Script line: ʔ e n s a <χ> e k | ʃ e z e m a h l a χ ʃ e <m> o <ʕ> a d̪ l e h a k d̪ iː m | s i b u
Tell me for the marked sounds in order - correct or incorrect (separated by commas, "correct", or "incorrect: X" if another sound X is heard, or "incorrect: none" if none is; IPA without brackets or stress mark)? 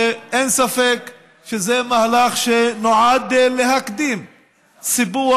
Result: incorrect: f, incorrect: n, correct